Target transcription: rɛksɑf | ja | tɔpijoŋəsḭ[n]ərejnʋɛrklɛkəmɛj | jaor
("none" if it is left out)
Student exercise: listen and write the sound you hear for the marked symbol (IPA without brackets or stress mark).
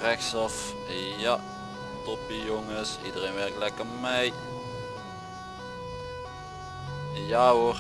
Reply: d